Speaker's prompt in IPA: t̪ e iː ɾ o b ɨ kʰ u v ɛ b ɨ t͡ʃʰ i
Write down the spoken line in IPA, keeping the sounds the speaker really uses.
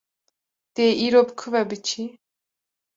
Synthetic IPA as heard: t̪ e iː ɾ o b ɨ kʰ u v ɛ b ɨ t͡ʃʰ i